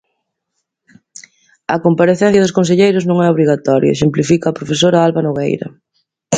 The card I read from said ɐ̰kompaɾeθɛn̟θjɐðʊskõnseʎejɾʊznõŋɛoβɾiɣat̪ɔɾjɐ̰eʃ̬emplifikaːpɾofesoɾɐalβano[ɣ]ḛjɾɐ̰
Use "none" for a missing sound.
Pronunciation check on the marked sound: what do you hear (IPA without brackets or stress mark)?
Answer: ɣ